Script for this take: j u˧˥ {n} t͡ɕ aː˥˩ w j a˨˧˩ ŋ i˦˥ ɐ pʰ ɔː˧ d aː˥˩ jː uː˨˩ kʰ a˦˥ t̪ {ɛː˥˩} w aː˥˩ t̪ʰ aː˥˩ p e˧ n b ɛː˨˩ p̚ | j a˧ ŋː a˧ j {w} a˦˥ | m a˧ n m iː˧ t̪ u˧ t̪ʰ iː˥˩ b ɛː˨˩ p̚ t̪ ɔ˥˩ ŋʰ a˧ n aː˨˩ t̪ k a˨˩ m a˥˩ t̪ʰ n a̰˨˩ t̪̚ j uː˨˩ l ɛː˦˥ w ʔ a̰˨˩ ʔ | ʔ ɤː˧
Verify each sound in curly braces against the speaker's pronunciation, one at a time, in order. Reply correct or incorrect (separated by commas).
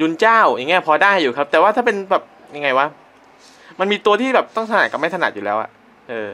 correct, incorrect, correct